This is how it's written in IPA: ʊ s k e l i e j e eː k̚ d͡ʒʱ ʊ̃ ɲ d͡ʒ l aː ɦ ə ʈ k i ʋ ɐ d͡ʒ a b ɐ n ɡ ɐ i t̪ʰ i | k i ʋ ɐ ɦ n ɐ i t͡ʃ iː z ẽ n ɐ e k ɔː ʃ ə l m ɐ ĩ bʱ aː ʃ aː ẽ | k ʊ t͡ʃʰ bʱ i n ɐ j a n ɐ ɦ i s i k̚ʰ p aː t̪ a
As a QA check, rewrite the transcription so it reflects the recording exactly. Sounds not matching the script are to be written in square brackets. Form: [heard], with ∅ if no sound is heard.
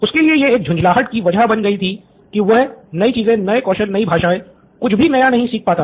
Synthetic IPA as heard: ʊ s k e l i e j e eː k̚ d͡ʒʱ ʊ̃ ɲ d͡ʒ l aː ɦ ə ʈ k i ʋ ɐ d͡ʒ a b ɐ n ɡ ɐ i t̪ʰ i | k i ʋ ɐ ɦ n ɐ i t͡ʃ iː z ẽ n ɐ e k ɔː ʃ ə l [n] ɐ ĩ bʱ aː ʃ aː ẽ | k ʊ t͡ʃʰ bʱ i n ɐ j a n ɐ ɦ [ĩ] s [iː] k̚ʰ p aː t̪ a